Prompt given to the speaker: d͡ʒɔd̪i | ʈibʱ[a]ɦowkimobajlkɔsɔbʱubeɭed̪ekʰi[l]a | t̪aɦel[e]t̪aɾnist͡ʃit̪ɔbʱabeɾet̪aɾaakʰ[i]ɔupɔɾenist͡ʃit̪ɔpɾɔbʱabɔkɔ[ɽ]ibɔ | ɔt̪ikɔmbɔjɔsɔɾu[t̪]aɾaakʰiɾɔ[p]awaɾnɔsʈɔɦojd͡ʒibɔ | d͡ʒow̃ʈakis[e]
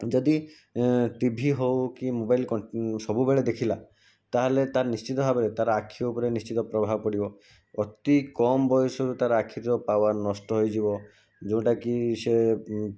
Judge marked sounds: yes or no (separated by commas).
no, yes, yes, yes, yes, yes, yes, yes